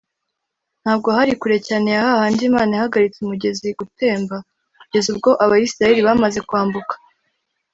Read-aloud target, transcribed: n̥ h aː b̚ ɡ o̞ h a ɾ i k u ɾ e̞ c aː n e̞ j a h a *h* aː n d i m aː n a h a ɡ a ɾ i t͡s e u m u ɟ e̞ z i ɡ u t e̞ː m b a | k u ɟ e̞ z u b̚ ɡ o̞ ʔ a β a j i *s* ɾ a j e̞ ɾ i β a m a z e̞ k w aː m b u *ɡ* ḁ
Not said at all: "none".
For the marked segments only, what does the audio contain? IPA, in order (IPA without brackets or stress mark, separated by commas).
h, s, k